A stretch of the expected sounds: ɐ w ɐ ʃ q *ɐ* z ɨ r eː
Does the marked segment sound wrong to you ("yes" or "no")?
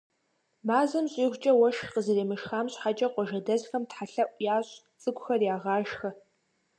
yes